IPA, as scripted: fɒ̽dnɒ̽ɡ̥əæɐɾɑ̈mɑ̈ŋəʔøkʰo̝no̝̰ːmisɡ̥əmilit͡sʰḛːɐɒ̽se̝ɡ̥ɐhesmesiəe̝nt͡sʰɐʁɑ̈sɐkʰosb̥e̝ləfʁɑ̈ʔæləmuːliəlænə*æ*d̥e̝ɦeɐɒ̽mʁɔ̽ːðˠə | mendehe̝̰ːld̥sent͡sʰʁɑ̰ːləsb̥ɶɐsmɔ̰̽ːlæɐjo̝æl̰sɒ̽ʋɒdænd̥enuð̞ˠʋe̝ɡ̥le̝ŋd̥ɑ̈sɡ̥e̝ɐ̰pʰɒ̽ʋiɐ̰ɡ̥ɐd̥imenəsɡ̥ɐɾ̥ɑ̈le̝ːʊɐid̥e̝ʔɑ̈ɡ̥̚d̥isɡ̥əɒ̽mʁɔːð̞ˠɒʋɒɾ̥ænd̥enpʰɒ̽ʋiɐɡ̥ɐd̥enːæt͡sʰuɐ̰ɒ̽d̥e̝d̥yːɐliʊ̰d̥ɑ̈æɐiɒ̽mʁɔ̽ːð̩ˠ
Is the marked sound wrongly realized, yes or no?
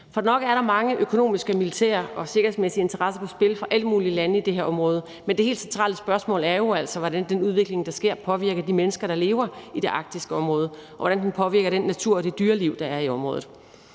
yes